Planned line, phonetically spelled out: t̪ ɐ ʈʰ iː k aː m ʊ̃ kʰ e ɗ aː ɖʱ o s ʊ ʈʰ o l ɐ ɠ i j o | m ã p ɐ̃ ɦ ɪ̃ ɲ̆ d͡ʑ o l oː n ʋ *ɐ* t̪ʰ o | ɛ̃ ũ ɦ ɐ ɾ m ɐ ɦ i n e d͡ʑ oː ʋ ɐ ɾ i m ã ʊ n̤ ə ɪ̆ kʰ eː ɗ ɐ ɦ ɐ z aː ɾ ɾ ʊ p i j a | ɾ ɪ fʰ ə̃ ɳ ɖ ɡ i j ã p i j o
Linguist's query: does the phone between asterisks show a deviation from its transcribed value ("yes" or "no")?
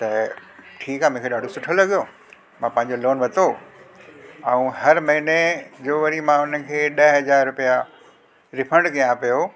no